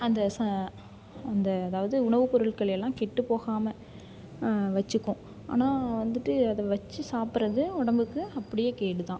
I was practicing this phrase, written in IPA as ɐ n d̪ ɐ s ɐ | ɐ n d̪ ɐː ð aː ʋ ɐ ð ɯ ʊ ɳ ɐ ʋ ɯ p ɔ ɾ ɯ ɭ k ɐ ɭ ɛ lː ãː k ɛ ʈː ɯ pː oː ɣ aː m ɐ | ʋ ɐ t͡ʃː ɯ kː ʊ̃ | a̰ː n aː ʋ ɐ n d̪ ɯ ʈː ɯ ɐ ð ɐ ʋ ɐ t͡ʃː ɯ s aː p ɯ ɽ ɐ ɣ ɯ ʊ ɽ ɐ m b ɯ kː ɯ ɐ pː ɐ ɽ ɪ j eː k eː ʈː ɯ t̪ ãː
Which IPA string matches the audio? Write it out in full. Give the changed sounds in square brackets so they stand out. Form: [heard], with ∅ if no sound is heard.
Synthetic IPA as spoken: ɐ n d̪ ɐ s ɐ | ɐ n d̪ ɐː ð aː ʋ ɐ ð ɯ ʊ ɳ ɐ ʋ ɯ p ɔ ɾ ɯ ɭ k ɐ ɭ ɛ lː ãː k ɛ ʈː ɯ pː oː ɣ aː m ɐ | ʋ ɐ t͡ʃː ɯ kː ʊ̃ | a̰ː n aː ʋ ɐ n d̪ ɯ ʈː ɯ ɐ ð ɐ ʋ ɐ t͡ʃː ɯ s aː p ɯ [ɾ] ɐ [ð] ɯ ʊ ɽ ɐ m b ɯ kː ɯ ɐ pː ɐ ɽ ɪ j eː k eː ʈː ɯ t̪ ãː

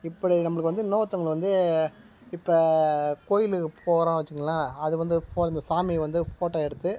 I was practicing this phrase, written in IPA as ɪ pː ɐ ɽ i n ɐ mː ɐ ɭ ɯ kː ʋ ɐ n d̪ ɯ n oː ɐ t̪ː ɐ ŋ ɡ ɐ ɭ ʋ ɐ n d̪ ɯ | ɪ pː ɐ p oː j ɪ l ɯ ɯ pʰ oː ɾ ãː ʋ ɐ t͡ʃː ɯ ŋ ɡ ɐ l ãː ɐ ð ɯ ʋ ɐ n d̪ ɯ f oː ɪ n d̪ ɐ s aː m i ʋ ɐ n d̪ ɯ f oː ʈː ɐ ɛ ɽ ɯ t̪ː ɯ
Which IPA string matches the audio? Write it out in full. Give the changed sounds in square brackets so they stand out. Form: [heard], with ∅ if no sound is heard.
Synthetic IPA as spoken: ɪ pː ɐ ɽ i n ɐ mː ɐ ɭ ɯ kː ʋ ɐ n d̪ ɯ n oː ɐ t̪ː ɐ ŋ ɡ ɐ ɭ ʋ ɐ n d̪ ɯ | ɪ pː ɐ [k] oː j ɪ l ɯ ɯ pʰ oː ɾ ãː ʋ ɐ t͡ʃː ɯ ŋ ɡ ɐ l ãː ɐ ð ɯ ʋ ɐ n d̪ ɯ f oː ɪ n d̪ ɐ s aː m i ʋ ɐ n d̪ ɯ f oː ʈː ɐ ɛ ɽ ɯ t̪ː ɯ

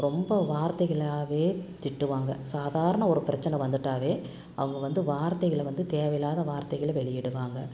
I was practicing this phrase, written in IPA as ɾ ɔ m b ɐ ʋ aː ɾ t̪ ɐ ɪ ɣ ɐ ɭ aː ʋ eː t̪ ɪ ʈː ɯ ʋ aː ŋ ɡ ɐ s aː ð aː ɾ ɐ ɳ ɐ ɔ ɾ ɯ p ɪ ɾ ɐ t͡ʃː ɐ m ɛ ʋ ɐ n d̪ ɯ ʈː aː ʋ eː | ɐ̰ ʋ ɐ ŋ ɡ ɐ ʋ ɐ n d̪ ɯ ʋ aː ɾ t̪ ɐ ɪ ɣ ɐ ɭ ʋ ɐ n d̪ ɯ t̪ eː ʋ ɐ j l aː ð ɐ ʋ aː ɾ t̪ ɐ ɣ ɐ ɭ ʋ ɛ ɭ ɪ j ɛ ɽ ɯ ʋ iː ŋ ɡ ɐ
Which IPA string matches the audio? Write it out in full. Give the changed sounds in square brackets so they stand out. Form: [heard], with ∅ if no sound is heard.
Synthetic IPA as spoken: ɾ ɔ m b ɐ ʋ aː ɾ t̪ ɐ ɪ ɣ ɐ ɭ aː ʋ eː t̪ ɪ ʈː ɯ ʋ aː ŋ ɡ ɐ s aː ð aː ɾ ɐ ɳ ɐ ɔ ɾ ɯ p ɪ ɾ ɐ t͡ʃː ɐ [n] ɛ ʋ ɐ n d̪ ɯ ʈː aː ʋ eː | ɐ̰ ʋ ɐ ŋ ɡ ɐ ʋ ɐ n d̪ ɯ ʋ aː ɾ t̪ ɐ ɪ ɣ ɐ ɭ ʋ ɐ n d̪ ɯ t̪ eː ʋ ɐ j l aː ð ɐ ʋ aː ɾ t̪ ɐ ɣ ɐ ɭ ʋ ɛ ɭ ɪ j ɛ ɽ ɯ ʋ [aː] ŋ ɡ ɐ

